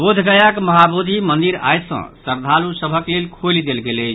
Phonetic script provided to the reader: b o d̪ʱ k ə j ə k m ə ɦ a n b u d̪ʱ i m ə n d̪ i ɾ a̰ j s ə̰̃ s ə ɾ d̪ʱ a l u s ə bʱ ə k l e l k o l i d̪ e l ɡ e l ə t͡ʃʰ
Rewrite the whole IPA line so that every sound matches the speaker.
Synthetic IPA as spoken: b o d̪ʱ ɡ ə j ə k m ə ɦ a b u d̪ʱ i m ə n d̪ i ɾ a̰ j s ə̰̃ s ə ɾ d̪ʱ a l u s ə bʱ ə k l e l kʰ o l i d̪ e l ɡ e l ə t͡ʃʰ

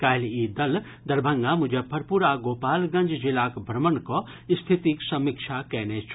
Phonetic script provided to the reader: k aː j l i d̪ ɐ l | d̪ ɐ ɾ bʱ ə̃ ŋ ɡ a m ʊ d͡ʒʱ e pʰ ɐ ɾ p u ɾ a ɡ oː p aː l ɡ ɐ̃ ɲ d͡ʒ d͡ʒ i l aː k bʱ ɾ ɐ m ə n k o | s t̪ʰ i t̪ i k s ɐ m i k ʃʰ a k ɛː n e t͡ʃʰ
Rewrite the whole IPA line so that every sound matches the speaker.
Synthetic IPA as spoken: k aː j l i d̪ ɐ l | d̪ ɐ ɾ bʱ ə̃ ŋ ɡ a m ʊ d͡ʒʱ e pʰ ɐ ɾ p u ɾ a ɡ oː p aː l ɡ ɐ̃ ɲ d͡ʒ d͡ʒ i l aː k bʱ ɾ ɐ m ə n k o | s t̪ʰ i t̪ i k s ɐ m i k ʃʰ a k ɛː n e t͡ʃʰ

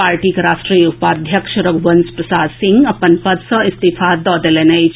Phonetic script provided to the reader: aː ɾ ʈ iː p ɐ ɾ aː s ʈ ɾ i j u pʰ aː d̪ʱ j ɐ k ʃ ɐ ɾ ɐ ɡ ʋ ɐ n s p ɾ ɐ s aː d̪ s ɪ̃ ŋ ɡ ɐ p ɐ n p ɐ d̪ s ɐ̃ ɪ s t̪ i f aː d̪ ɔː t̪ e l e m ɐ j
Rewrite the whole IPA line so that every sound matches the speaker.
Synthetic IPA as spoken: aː ɾ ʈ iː k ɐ ɾ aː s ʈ ɾ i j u p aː d̪ʱ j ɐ k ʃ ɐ ɾ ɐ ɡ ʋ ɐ n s p ɾ ɐ s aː d̪ s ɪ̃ ŋ ɡ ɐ p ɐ n p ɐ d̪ s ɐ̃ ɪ s t̪ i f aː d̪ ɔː d̪ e l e n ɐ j

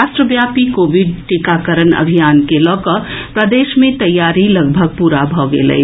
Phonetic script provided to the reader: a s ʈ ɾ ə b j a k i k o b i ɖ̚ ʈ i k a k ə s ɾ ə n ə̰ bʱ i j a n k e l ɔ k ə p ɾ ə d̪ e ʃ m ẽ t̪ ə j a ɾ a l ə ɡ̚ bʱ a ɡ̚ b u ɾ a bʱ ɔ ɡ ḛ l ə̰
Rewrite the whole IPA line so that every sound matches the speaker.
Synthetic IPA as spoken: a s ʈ ɾ ə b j a p i k o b i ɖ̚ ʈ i k a k ə ɾ ə n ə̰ bʱ i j a n k e l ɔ k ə p ɾ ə d̪ e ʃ m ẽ t̪ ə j a ɾ i l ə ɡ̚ bʱ ə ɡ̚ p u ɾ a bʱ ɔ ɡ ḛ l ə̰

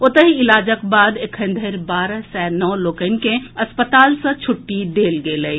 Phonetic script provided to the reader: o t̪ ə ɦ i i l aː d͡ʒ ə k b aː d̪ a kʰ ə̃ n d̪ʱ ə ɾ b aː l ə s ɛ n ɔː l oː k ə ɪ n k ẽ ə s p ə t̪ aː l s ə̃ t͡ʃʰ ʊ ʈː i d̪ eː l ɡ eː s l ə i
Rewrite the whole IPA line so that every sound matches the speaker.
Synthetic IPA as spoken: o t̪ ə ɦ i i l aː d͡ʒ ə k b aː d̪ e kʰ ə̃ n d̪ʱ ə ɾ b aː ɾ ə s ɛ n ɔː l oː k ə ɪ n k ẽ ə s p ə t̪ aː l s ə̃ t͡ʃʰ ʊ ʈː i d̪ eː l ɡ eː l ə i

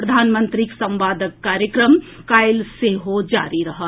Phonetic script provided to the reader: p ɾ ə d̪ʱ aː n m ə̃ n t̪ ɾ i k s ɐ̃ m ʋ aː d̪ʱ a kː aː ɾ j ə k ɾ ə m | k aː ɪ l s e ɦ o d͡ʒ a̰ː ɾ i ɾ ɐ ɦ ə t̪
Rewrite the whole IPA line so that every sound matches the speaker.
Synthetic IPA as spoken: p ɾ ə d̪ʱ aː n m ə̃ n t̪ ɾ i k s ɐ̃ m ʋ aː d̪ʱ ə kː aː ɾ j ə k ɾ ə m | k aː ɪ l s e ɦ o d͡ʒ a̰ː ɾ i ɾ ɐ ɦ ə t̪

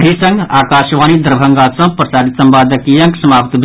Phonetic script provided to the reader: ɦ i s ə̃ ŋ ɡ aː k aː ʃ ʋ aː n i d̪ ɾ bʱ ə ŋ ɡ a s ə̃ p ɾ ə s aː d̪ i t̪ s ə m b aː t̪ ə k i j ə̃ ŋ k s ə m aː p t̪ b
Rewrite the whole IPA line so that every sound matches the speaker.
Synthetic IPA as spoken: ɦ i s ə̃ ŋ ɡ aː k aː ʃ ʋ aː n i d̪ ɾ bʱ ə ŋ ɡ a s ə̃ p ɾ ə s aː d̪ i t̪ s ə m b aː d̪ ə k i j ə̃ ŋ k s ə m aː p t̪ b

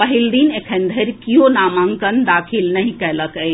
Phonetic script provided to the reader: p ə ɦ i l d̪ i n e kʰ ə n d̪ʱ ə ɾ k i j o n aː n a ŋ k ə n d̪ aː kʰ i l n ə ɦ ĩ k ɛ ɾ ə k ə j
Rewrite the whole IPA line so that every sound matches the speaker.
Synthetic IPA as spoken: p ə ɦ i l d̪ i n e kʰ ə n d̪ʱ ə ɾ k i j o n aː m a ŋ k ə n d̪ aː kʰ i l n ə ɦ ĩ k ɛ l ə k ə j

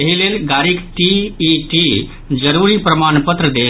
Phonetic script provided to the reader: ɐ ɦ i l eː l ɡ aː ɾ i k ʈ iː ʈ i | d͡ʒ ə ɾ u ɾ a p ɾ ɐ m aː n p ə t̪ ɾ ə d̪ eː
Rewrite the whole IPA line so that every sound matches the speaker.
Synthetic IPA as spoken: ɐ ɦ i l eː l ɡ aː ɾ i k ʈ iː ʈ i | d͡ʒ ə ɾ u ɾ i p ɾ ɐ m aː n p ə t̪ ɾ ə d̪ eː

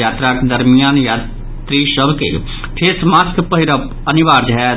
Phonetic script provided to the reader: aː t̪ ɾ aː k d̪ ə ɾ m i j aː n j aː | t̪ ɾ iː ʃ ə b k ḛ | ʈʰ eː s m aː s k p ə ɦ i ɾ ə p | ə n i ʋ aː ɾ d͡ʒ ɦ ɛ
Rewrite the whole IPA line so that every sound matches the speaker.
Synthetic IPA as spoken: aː t̪ ɾ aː k d̪ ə ɾ m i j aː n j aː | t̪ ɾ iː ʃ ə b k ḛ | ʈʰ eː s m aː s k p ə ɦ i ɾ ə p | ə n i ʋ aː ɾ d͡ʒ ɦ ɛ

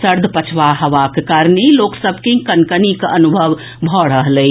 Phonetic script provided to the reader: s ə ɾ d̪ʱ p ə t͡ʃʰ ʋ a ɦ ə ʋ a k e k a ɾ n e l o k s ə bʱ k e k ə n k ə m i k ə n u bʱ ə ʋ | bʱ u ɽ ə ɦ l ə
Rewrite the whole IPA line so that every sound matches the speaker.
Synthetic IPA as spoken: s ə ɾ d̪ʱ p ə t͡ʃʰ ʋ a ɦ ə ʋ a k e k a ɾ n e l o k s ə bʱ k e k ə n k ə n i k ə n u bʱ ə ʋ | bʱ ɔ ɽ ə ɦ l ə

